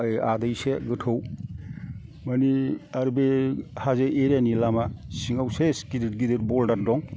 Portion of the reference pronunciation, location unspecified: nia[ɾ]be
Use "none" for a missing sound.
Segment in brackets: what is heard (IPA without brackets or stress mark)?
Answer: ɾ